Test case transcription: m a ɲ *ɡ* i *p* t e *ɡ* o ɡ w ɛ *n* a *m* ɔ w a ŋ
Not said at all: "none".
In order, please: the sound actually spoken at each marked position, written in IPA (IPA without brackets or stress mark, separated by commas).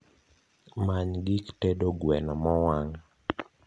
ɡ, k, d, n, m